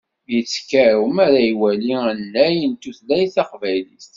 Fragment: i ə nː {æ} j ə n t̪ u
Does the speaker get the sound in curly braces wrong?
no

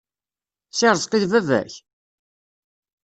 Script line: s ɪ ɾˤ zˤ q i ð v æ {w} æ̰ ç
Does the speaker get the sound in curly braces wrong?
yes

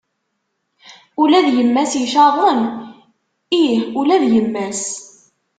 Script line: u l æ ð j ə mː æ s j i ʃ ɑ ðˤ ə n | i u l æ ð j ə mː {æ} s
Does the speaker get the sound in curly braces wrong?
no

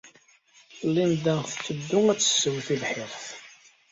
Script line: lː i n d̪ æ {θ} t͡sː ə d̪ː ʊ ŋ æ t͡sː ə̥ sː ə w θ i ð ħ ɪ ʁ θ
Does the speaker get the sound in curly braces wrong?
no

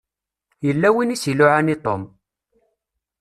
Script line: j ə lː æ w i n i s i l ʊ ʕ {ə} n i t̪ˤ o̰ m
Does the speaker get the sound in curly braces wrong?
yes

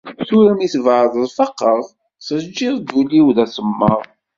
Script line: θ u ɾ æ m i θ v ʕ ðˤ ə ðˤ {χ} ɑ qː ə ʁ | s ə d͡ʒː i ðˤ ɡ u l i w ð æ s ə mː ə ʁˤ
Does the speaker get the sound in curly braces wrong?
yes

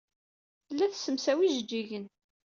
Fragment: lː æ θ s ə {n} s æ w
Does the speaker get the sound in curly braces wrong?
yes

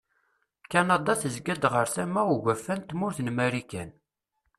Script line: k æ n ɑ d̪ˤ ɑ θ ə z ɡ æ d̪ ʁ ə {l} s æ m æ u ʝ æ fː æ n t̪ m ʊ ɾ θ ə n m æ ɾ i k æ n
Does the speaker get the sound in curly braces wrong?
yes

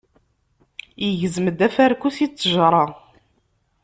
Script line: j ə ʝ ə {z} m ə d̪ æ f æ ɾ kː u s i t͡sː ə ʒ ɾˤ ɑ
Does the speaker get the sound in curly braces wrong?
no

